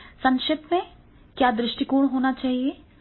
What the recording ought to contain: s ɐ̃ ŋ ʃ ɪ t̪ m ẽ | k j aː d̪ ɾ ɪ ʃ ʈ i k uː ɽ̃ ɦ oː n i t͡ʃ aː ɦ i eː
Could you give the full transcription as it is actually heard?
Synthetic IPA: s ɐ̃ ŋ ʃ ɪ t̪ m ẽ | k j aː d̪ ɾ ɪ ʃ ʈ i k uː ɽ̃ ɦ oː n a t͡ʃ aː ɦ i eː